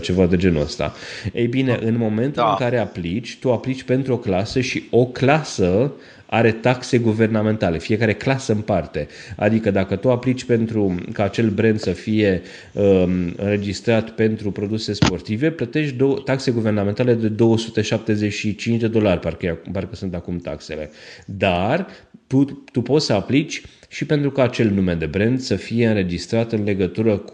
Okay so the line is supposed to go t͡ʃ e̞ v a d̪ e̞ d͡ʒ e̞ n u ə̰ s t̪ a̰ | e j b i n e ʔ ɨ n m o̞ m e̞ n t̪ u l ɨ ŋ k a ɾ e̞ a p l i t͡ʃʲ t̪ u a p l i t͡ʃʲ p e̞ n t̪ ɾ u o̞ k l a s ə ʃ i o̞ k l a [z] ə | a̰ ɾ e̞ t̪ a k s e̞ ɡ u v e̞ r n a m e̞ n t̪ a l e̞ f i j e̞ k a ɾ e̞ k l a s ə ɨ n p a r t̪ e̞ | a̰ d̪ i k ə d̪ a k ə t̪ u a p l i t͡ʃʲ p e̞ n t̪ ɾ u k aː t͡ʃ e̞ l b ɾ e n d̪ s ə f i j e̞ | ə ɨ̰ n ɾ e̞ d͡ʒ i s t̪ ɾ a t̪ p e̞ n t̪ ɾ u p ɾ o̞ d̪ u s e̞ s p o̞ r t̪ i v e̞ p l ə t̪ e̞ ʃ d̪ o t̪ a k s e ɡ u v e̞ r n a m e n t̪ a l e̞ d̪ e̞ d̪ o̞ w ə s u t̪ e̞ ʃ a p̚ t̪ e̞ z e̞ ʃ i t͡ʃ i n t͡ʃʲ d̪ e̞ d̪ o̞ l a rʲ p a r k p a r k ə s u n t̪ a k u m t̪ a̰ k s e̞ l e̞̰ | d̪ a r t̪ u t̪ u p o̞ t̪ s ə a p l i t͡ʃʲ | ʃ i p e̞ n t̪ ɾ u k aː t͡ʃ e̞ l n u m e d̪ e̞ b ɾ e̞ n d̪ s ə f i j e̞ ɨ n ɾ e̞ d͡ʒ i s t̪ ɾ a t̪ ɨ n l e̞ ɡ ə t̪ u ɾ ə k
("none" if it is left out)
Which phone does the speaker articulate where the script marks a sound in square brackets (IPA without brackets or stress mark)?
s